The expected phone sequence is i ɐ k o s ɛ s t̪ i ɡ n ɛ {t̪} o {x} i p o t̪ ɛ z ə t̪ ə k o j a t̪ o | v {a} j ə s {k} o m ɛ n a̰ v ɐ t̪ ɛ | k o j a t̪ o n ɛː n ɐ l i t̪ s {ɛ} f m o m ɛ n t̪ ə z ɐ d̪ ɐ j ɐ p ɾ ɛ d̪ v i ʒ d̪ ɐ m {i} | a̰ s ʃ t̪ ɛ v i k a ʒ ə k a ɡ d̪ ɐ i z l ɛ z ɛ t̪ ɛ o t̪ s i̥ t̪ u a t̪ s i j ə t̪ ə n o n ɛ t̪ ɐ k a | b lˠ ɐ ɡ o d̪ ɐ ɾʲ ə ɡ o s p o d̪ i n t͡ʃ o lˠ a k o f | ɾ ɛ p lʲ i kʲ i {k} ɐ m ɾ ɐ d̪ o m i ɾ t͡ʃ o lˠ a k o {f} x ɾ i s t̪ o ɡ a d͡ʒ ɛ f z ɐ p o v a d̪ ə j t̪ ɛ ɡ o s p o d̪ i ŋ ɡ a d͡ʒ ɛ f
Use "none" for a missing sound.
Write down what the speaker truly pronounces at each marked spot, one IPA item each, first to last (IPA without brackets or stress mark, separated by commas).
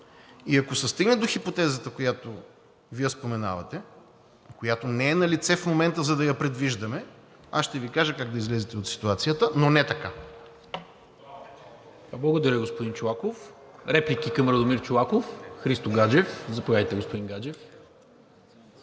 d̪, x, i, p, ɛ, ɛ, k, f